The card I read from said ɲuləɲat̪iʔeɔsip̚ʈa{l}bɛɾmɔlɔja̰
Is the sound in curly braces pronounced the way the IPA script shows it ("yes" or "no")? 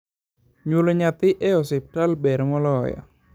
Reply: yes